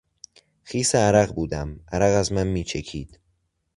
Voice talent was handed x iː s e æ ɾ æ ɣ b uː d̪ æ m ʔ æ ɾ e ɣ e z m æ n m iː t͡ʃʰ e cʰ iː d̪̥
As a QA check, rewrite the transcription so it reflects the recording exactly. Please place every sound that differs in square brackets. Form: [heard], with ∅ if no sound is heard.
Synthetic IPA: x iː s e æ ɾ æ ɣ b uː d̪ æ m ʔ æ ɾ [æ] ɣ [æ] z m æ n m iː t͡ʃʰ e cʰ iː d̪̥